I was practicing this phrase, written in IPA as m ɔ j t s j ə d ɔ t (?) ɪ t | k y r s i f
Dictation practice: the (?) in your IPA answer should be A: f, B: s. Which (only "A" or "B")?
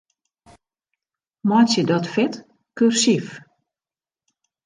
A